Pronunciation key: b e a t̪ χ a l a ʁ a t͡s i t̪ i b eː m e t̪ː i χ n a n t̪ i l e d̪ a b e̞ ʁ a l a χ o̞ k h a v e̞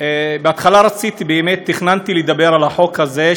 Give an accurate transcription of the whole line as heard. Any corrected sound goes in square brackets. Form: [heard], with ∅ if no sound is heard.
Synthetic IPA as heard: b e a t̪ χ a l a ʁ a t͡s i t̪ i b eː m e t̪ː i χ n a n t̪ i l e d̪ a b e̞ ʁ a l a [ħ] o̞ k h a [z] e̞